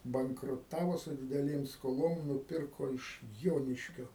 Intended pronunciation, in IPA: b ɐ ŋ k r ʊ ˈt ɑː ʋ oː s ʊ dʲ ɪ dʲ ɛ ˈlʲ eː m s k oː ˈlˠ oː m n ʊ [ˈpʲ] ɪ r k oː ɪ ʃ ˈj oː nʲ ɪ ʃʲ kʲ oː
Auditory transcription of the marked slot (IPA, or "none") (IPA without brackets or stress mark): pʲ